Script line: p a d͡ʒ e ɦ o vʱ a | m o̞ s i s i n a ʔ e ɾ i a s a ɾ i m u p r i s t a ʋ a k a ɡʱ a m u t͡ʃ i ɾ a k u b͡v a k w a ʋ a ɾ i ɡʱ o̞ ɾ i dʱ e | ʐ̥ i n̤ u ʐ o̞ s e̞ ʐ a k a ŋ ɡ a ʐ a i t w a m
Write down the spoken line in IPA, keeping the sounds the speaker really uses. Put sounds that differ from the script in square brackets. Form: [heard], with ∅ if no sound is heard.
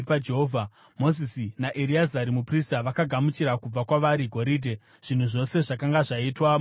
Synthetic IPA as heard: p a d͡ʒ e ɦ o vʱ a | m o̞ [z] i s i n a ʔ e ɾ i a [z] a ɾ i m u p r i s t a ʋ a k a ɡʱ a m u t͡ʃ i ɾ a k u b͡v a k w a ʋ a ɾ i ɡʱ o̞ ɾ i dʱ e | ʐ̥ i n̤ u ʐ o̞ s e̞ ʐ a k a ŋ ɡ a ʐ a i t w a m

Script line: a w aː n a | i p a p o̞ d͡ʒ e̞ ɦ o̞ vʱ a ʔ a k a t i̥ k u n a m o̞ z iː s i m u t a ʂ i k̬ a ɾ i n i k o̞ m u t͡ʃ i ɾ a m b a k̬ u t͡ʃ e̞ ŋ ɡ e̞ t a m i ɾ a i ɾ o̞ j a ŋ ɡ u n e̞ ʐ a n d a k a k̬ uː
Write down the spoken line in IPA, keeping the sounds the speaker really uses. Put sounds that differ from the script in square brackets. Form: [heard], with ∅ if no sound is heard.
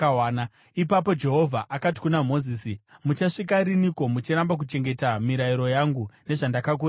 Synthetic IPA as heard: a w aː n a | i p a p o̞ d͡ʒ e̞ ɦ o̞ vʱ a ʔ a k a t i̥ k u n a m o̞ z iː s i m u [t͡ʃ] a ʂ i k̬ a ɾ i n i k o̞ m u t͡ʃ i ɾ a m b a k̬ u t͡ʃ e̞ ŋ ɡ e̞ t a m i ɾ a i ɾ o̞ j a ŋ ɡ u n e̞ ʐ a n d a k a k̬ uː

